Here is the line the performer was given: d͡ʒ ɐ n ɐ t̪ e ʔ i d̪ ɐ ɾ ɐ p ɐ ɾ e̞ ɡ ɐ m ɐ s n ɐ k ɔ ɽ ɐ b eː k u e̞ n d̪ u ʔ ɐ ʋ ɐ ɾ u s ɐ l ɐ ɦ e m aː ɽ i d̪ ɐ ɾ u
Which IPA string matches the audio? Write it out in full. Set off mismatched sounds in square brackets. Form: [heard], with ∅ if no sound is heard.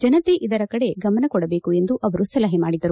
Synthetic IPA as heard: d͡ʒ ɐ n ɐ t̪ e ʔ i d̪ ɐ ɾ ɐ [k] ɐ [ɽ] e̞ ɡ ɐ m ɐ [∅] n ɐ k ɔ ɽ ɐ b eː k u e̞ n d̪ u ʔ ɐ ʋ ɐ ɾ u s ɐ l ɐ ɦ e m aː ɽ i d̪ ɐ ɾ u